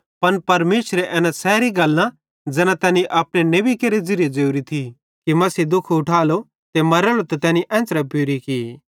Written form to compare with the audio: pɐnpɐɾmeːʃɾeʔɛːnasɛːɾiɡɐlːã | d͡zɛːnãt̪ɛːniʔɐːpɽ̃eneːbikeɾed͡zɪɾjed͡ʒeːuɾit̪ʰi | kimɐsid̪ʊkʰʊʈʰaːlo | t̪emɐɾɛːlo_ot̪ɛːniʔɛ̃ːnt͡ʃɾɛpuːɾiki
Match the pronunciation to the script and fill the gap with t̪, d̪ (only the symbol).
t̪